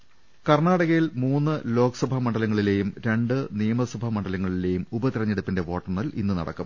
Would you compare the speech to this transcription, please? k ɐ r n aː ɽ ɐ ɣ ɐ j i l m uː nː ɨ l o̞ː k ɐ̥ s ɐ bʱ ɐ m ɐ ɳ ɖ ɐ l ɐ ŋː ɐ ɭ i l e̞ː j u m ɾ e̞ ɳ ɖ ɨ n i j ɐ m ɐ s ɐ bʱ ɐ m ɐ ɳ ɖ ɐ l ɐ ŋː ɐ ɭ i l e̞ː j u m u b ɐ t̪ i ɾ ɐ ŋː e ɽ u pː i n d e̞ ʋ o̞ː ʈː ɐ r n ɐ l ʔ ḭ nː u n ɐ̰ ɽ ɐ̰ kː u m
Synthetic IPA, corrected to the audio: k ɐ r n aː ɽ ɐ ɣ ɐ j i l m uː nː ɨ l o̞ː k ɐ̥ s ɐ bʱ ɐ m ɐ ɳ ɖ ɐ l ɐ ŋː ɐ ɭ i l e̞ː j u m ɾ e̞ ɳ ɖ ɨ n i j ɐ m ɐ s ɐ bʱ ɐ m ɐ ɳ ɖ ɐ l ɐ ŋː ɐ ɭ i l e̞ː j u m u b ɐ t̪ i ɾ ɐ ɲː e ɽ u pː i n d e̞ ʋ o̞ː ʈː ɐ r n ɐ l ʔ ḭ nː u n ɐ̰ ɽ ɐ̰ kː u m